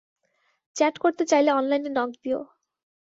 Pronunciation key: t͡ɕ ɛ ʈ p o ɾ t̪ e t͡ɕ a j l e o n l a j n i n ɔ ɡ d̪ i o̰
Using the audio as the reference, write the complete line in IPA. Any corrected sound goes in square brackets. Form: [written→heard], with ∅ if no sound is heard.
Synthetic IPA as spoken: t͡ɕ ɛ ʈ [p→k] o ɾ t̪ e t͡ɕ a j l e [o→ɔ] n l a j n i n ɔ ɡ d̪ i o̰